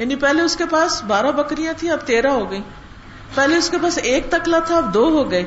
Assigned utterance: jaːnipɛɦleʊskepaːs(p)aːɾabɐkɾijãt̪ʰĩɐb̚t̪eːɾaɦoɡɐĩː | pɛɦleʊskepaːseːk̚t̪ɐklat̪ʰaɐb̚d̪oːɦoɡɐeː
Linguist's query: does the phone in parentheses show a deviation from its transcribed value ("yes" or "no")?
yes